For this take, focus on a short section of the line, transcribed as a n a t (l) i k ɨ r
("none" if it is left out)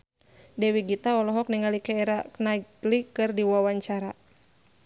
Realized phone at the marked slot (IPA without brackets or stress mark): l